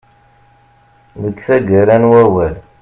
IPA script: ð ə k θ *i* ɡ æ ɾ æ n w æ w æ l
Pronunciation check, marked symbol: incorrect: æ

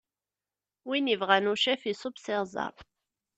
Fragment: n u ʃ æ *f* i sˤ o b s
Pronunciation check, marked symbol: correct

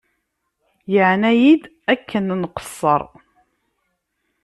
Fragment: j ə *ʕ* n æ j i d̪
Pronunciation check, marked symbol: correct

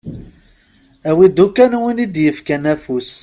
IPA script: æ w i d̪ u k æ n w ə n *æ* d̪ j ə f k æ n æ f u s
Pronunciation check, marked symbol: incorrect: i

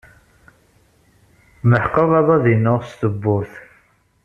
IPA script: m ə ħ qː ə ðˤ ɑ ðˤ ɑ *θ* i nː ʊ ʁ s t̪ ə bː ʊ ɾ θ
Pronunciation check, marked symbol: incorrect: ð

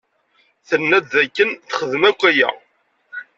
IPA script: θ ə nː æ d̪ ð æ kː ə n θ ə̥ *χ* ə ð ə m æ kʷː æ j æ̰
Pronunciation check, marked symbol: correct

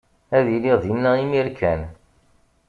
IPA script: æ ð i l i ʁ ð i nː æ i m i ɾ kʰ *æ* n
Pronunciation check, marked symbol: correct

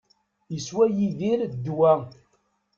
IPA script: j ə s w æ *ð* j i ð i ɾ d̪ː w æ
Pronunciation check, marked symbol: incorrect: none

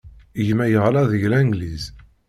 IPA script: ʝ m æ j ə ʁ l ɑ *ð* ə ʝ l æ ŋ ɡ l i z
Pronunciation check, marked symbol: correct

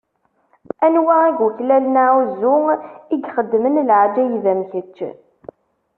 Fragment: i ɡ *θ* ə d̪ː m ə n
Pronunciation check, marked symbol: incorrect: χ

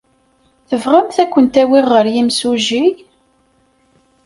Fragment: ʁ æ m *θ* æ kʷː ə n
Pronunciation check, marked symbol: correct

